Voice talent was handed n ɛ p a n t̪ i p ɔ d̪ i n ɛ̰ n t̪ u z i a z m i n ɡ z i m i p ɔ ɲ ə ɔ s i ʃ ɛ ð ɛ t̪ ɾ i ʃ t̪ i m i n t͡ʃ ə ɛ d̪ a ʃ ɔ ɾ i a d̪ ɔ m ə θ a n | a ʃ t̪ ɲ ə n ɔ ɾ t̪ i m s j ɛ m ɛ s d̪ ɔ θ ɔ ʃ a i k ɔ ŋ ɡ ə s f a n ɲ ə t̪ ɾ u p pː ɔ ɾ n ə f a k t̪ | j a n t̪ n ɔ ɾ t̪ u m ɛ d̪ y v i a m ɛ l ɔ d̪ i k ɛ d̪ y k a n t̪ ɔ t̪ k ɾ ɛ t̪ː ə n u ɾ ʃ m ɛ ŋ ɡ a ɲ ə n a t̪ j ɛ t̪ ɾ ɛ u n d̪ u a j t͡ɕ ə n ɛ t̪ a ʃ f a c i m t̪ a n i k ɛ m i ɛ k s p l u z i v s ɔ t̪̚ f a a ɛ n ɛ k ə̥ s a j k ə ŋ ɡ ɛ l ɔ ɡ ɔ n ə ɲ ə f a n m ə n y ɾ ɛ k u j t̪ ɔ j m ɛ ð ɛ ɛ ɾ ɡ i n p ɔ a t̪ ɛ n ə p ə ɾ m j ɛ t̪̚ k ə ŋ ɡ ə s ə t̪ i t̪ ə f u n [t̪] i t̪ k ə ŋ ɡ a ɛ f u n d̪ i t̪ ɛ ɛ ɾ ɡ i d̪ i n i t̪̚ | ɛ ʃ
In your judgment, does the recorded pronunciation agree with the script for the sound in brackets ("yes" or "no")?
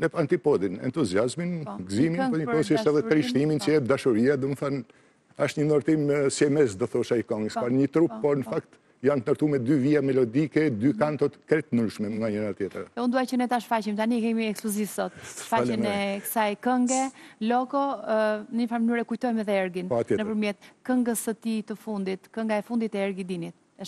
no